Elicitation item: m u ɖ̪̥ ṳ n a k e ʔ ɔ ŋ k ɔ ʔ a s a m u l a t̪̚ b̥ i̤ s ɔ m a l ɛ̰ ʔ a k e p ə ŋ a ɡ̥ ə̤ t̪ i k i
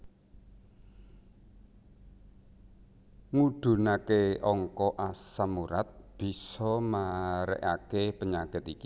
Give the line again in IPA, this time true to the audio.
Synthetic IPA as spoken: ŋ u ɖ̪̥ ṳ n a k e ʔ ɔ ŋ k ɔ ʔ a s a m u ɾ a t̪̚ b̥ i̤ s ɔ m a ɾ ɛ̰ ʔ a k e p ə ɲ a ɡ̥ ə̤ t̪ i k i